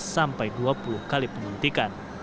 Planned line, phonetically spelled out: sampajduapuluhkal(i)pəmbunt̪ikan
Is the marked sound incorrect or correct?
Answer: correct